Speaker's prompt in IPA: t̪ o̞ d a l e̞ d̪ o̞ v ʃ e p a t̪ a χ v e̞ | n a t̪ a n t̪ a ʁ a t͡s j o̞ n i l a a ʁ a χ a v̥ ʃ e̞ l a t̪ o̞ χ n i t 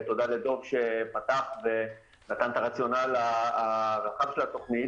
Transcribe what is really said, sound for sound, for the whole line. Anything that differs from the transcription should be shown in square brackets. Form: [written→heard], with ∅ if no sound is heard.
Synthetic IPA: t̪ o̞ d a l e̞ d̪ o̞ v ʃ e p a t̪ a χ v e̞ | n a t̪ a n t̪ a ʁ a t͡s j o̞ n [i→a] l a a ʁ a χ a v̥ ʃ e̞ l a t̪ o̞ χ n i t